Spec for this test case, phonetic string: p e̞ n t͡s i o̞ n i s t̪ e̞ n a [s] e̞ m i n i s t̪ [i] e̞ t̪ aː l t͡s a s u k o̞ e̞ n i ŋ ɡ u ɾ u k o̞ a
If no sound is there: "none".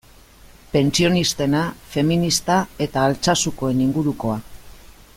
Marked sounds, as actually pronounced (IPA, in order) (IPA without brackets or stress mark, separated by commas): f, a